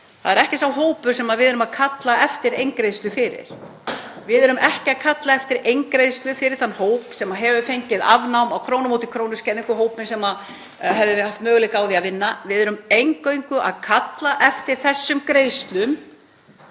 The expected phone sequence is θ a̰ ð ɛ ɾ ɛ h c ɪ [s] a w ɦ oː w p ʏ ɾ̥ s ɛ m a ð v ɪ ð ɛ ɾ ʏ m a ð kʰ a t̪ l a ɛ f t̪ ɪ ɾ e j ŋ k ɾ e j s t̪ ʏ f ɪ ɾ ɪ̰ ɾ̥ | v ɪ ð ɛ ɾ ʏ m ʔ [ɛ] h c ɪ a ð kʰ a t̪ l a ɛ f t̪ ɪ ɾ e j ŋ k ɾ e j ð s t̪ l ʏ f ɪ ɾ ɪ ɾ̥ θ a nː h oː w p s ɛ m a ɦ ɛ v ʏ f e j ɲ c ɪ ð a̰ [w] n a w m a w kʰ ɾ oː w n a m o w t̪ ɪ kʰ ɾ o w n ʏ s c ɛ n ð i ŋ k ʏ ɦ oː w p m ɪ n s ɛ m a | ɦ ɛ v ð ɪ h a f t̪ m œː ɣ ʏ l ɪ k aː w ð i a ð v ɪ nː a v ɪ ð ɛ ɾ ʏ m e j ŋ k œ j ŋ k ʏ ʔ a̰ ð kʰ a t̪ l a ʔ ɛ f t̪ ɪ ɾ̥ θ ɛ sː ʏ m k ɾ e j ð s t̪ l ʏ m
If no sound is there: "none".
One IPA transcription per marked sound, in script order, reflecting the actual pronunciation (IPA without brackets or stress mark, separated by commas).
s, ɛ, v